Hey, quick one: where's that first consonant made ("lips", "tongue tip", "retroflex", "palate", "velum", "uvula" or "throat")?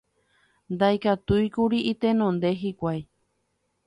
tongue tip